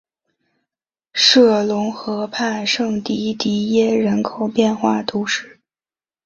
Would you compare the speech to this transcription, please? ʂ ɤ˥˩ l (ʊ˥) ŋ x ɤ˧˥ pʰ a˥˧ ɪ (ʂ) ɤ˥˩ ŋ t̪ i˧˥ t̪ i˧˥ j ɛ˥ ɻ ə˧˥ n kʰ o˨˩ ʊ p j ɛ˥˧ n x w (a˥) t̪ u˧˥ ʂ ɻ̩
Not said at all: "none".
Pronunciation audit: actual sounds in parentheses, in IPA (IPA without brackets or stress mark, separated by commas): ʊ˧˥, ʂ, a˥˩